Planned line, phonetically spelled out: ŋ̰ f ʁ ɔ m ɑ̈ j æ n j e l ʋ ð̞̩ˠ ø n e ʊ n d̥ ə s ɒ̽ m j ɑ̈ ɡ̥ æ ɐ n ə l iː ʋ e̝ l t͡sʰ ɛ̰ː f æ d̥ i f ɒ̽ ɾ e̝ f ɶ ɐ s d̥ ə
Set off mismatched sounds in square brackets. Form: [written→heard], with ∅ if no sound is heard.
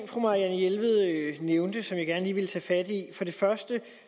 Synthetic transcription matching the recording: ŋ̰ f ʁ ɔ m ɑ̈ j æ n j e l ʋ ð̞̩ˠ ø n e ʊ n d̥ ə s ɒ̽ m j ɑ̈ ɡ̥ æ ɐ n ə l iː ʋ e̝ l t͡sʰ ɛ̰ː f æ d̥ i f ɒ̽ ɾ e̝ f ɶ ɐ s d̥ ə